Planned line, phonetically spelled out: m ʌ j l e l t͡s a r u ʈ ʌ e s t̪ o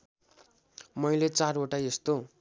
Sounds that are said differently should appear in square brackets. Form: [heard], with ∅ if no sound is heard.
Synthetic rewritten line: m ʌ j l e [∅] t͡s a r [o] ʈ [a] e s t̪ o